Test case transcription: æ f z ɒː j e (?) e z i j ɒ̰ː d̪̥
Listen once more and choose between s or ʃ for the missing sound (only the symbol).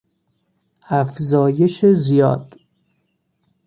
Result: ʃ